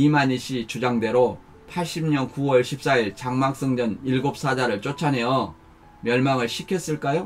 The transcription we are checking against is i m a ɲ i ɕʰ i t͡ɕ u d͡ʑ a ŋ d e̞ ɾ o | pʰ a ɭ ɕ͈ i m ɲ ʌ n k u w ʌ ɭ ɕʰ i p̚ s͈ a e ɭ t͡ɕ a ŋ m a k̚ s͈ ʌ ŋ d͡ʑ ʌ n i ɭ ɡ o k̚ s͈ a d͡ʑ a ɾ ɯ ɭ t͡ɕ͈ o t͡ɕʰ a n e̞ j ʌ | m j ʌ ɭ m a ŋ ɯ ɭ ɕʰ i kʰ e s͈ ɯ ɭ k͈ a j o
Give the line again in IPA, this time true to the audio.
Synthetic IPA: i m a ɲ i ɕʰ i t͡ɕ u d͡ʑ a ŋ d e̞ ɾ o | pʰ a ɭ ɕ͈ i m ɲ ʌ n k u w ʌ ɭ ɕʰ i p̚ s͈ a i ɭ t͡ɕ a ŋ m a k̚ s͈ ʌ ŋ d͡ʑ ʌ n i ɭ ɡ o p̚ s͈ a d͡ʑ a ɾ ɯ ɭ t͡ɕ͈ o t͡ɕʰ a n e̞ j ʌ | m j ʌ ɭ m a ŋ ɯ ɭ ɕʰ i kʰ e s͈ ɯ ɭ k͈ a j o

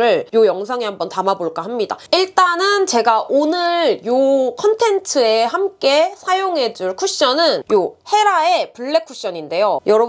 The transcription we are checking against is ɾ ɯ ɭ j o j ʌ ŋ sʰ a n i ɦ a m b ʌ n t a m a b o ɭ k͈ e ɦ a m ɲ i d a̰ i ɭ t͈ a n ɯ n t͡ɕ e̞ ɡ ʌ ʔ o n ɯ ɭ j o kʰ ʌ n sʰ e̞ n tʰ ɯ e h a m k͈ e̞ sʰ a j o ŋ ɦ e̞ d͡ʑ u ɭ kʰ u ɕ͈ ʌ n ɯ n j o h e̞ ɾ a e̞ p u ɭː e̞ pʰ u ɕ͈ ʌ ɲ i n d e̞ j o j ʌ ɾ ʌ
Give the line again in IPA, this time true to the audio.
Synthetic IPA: ɾ ɯ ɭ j o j ʌ ŋ sʰ a ŋ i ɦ a m b ʌ n t a m a b o ɭ k͈ a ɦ a m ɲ i d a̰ i ɭ t͈ a n ɯ n t͡ɕ e̞ ɡ a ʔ o n ɯ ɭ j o kʰ ʌ n tʰ e̞ n tʰ ɯ e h a m k͈ e̞ sʰ a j o ŋ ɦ e̞ d͡ʑ u ɭ kʰ u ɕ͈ ʌ n ɯ n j o h e̞ ɾ a e̞ p u ɭː e̞ kʰ u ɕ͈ ʌ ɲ i n d e̞ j o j ʌ ɾ ʌ

